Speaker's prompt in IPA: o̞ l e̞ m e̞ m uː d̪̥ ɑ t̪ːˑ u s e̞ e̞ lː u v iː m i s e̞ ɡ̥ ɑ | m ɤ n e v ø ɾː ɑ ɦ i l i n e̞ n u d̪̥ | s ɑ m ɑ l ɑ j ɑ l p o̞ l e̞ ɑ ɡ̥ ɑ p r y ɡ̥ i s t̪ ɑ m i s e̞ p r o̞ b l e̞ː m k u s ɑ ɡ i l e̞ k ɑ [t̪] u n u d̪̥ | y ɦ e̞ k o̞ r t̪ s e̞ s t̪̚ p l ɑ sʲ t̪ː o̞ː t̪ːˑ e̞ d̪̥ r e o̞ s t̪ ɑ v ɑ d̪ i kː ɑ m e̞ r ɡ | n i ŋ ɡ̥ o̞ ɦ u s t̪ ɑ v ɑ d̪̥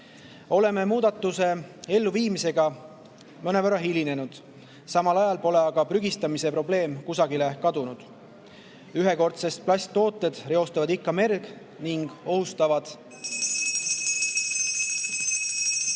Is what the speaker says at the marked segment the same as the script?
no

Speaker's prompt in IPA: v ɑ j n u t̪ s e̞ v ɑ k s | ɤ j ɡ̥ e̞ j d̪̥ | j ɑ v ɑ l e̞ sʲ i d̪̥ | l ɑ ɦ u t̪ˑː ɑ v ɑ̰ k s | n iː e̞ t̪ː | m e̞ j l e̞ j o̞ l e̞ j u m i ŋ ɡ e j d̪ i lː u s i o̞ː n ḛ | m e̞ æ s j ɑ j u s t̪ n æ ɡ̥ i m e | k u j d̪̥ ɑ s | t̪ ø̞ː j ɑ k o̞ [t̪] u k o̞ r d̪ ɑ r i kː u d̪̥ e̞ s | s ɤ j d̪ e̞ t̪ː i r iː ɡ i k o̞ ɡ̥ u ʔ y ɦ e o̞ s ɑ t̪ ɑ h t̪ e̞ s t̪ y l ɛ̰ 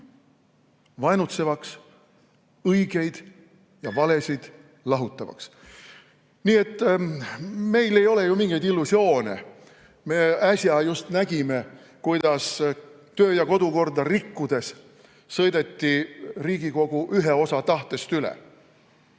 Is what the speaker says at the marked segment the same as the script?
no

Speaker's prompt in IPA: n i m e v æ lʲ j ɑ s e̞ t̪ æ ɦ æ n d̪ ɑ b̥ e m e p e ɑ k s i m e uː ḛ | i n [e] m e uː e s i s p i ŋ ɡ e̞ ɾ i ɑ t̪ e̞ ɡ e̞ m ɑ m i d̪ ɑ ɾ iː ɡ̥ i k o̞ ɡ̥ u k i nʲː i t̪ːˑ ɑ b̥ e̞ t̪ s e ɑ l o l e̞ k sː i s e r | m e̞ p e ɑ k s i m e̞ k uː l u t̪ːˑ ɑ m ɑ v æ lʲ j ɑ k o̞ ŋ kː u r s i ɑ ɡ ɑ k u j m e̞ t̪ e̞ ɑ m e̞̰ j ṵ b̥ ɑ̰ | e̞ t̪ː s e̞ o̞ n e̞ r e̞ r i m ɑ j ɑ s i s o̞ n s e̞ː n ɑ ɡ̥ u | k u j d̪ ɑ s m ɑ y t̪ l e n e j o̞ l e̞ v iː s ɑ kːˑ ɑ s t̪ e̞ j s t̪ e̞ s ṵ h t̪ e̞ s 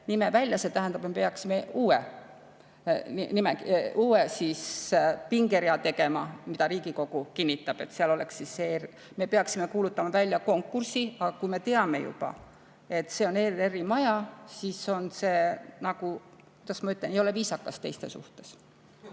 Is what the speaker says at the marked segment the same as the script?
no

